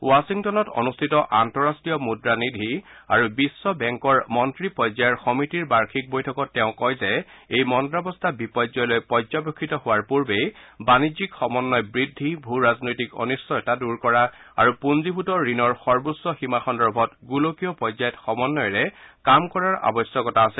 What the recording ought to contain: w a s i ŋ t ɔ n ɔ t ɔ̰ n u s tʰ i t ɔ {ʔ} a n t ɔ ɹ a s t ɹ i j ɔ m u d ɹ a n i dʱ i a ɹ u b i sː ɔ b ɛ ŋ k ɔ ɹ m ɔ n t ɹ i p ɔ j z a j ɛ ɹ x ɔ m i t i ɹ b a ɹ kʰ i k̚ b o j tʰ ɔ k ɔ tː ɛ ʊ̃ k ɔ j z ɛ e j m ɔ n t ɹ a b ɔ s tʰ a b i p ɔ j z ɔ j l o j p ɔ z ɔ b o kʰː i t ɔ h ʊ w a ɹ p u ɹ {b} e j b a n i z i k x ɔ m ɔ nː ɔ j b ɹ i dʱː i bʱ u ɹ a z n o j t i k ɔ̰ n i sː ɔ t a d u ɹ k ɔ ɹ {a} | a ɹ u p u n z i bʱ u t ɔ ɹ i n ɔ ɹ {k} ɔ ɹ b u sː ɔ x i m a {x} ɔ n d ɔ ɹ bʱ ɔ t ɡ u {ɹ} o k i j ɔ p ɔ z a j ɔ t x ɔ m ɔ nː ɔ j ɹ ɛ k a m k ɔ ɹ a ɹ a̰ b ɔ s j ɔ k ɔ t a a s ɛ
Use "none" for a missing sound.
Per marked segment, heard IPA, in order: ʔ, b, a, x, x, l

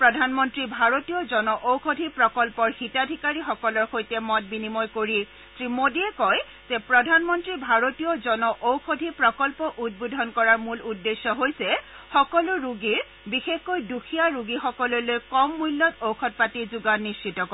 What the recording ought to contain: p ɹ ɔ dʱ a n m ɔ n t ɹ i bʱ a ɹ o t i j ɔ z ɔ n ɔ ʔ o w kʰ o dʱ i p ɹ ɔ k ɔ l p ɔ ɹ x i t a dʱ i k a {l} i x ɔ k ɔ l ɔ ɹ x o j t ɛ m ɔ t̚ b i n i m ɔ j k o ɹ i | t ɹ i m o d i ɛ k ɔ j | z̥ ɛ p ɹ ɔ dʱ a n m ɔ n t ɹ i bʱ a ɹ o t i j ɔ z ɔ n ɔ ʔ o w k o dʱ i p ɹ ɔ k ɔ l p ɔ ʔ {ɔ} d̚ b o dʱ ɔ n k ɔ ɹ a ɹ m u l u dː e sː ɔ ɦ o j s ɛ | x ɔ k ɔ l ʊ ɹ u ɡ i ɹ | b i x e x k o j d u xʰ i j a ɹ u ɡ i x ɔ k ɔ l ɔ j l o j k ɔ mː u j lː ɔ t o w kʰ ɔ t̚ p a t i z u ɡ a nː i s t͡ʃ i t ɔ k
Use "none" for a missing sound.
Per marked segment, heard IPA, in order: ɹ, u

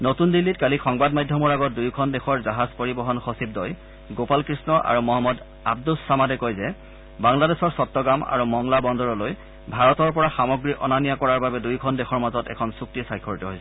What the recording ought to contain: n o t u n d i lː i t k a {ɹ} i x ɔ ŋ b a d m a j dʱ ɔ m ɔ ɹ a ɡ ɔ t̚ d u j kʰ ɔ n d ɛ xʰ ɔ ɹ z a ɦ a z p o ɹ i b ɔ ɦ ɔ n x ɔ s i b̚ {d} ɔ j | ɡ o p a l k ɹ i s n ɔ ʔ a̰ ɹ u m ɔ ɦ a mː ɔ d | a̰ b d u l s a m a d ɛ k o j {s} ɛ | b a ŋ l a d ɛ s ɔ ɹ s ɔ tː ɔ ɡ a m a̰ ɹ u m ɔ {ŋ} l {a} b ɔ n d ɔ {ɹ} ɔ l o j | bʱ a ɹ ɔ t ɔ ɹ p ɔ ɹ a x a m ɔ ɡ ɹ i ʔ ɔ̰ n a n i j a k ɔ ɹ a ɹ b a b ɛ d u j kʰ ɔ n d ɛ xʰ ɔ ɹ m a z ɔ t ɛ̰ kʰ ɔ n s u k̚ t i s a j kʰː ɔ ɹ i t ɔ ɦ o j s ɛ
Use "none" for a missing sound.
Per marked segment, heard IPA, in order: l, d, z, ŋ, a, ɹ

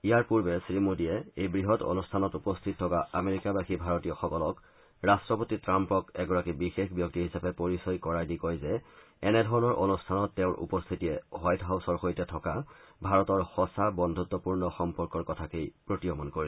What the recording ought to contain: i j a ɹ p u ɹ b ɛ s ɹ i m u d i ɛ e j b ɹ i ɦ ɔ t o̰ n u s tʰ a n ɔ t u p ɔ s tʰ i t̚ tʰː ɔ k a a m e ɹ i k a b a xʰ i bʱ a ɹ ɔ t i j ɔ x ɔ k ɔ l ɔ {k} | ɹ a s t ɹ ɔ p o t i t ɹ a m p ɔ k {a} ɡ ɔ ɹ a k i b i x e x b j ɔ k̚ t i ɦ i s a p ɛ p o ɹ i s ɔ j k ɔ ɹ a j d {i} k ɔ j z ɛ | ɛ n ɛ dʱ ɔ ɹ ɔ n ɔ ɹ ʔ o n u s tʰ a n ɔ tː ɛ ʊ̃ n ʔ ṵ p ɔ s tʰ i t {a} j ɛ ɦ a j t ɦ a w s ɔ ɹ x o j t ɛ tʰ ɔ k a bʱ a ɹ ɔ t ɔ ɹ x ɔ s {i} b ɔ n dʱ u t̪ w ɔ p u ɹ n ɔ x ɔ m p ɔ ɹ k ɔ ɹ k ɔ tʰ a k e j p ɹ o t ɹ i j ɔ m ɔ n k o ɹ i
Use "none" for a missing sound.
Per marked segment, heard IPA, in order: k, ɛ, i, i, a

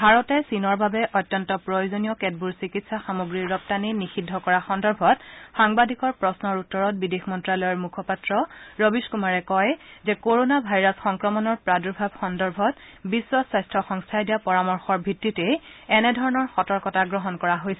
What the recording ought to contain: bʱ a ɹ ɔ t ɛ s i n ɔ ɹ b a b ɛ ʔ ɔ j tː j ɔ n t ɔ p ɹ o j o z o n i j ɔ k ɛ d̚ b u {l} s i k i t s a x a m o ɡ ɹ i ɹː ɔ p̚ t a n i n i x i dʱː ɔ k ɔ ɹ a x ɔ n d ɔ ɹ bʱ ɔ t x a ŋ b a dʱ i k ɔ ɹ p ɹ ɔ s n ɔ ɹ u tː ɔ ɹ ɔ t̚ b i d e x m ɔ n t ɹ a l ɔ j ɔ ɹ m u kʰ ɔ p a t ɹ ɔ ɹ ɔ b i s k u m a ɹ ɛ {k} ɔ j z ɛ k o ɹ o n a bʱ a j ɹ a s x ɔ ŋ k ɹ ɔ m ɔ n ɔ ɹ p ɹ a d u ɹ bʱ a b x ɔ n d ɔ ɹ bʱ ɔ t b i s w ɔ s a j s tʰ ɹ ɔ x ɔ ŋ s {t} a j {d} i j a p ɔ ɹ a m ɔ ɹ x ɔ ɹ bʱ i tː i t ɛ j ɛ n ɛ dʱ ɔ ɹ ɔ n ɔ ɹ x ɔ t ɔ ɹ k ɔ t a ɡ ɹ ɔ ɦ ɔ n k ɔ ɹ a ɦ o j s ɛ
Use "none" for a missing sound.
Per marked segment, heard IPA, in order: ɹ, k, tʰ, d

